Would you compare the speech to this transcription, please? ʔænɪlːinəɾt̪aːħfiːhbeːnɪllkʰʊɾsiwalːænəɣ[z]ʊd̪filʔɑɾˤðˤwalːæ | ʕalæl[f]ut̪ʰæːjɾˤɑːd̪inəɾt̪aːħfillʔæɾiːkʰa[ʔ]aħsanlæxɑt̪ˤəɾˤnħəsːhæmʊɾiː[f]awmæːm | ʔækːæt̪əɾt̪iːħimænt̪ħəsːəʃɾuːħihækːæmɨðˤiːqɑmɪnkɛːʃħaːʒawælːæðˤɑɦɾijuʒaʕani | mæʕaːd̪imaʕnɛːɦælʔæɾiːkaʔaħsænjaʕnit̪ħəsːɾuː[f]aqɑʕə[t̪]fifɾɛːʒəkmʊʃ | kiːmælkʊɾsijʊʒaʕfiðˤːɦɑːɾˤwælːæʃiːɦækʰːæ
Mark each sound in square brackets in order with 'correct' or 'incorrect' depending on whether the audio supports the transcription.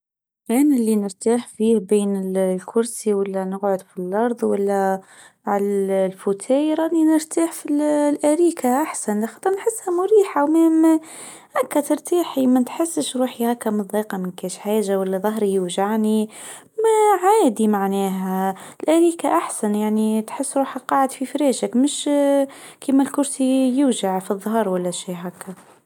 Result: incorrect: ʕ, correct, correct, incorrect: ħ, incorrect: ħ, incorrect: d̪

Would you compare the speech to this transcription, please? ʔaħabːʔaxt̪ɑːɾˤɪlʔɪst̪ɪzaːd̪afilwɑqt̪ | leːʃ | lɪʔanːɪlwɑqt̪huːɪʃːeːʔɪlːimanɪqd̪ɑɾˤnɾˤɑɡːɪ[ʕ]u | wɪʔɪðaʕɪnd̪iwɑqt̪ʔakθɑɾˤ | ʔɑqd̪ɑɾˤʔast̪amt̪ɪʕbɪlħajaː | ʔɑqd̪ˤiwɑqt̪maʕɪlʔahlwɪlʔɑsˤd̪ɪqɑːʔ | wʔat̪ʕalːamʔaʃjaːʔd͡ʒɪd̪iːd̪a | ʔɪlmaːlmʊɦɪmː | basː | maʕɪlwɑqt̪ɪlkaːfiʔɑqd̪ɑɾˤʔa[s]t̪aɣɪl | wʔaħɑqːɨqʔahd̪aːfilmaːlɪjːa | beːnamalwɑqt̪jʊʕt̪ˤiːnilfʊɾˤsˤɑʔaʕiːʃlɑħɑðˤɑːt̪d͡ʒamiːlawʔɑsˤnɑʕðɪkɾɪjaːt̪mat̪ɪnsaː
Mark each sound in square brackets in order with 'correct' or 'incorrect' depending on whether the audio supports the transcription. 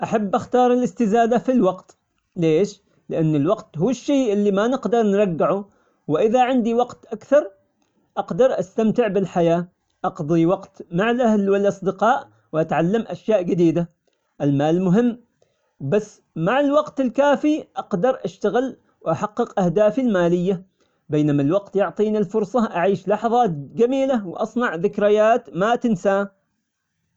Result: correct, incorrect: ʃ

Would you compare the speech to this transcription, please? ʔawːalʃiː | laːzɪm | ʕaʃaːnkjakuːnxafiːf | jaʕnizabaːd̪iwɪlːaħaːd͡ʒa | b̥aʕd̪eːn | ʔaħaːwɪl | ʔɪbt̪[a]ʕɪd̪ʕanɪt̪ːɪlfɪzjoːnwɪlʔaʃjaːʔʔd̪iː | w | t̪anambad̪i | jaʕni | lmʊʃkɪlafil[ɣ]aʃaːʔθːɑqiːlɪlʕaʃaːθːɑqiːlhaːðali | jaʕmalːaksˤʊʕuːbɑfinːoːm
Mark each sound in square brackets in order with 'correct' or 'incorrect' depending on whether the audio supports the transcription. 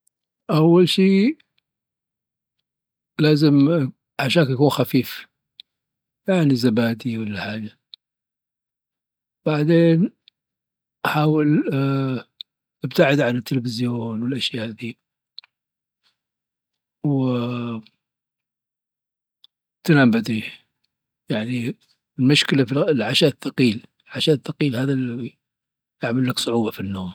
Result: correct, incorrect: ʕ

